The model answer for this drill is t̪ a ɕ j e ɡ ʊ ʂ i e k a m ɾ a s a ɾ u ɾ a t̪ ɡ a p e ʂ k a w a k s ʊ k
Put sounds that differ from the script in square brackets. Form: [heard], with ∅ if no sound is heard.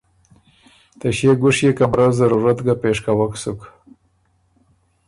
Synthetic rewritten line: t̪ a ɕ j e ɡ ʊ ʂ [j] e k a m ɾ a [z] a ɾ u ɾ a t̪ ɡ a p e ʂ k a w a k s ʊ k